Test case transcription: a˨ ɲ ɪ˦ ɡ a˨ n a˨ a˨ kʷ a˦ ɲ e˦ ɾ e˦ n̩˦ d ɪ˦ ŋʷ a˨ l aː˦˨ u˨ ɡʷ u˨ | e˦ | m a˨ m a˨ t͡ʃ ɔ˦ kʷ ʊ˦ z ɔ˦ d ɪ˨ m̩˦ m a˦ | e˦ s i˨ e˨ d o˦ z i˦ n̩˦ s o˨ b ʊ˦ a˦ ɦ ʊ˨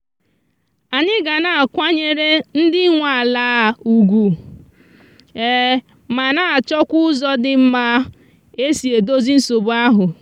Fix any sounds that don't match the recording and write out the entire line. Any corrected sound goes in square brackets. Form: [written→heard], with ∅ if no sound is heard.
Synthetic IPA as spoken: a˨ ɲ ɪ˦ ɡ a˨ n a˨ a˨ kʷ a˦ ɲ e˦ ɾ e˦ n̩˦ d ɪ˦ ŋʷ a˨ l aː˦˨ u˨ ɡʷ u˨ | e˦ | m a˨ [m→n] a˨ t͡ʃ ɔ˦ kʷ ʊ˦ z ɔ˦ d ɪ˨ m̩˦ m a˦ | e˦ s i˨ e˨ d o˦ z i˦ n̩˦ s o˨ b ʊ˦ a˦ ɦ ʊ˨